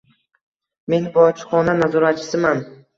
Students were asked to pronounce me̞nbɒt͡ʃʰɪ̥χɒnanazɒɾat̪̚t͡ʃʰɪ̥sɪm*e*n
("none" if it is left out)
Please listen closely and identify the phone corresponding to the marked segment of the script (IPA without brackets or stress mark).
a